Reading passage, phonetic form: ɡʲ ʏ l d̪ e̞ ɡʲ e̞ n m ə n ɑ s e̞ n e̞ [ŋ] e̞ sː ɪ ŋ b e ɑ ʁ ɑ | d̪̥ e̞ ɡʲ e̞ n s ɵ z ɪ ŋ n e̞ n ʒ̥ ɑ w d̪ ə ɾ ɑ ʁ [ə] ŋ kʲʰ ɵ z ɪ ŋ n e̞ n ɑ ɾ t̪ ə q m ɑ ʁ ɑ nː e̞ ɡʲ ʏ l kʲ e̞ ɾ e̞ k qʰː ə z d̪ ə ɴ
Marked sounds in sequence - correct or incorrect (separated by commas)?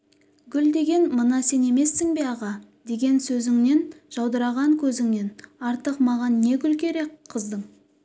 incorrect, incorrect